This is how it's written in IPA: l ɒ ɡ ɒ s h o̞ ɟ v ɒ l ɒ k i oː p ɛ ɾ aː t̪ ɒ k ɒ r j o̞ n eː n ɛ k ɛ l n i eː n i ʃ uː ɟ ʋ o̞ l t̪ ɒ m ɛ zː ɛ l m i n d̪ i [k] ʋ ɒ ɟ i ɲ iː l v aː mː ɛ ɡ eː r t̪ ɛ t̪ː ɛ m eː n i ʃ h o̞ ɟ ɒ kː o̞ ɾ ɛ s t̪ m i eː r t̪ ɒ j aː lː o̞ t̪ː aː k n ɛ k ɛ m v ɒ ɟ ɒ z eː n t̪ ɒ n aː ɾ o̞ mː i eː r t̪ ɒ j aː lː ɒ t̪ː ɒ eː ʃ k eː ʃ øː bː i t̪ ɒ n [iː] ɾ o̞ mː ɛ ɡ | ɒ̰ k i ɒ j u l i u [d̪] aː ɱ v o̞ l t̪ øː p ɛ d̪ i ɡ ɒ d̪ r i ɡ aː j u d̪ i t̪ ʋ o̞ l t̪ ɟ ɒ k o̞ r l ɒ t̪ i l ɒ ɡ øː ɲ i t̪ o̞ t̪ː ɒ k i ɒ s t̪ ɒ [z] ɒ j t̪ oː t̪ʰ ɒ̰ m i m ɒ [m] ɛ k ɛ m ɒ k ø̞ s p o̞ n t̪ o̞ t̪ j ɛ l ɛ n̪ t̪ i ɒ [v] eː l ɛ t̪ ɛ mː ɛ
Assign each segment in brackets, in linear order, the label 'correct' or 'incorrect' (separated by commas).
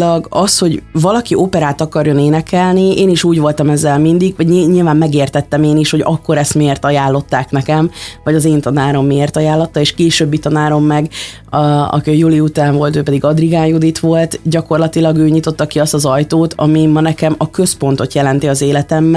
incorrect, incorrect, incorrect, correct, incorrect, incorrect